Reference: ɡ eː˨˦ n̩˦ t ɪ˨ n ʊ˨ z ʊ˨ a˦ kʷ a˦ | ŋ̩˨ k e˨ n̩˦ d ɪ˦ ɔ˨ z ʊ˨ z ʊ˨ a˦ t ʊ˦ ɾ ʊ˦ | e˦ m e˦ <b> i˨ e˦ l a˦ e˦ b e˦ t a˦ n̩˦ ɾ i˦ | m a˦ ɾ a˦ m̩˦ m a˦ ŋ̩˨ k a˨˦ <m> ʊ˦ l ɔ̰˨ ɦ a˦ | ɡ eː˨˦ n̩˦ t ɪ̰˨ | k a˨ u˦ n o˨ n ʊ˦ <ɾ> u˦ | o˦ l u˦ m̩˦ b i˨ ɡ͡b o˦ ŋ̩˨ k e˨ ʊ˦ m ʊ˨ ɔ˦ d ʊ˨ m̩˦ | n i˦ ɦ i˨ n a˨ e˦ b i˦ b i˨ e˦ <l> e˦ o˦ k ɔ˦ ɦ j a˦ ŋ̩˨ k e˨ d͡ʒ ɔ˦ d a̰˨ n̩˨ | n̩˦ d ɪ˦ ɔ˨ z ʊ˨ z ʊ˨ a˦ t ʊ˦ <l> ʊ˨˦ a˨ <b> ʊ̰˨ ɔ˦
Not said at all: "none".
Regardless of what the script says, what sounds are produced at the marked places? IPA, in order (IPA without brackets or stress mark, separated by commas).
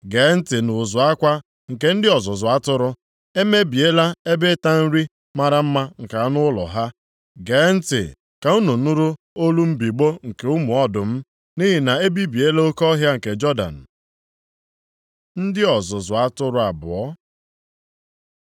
b, n, ɾ, l, ɾ, b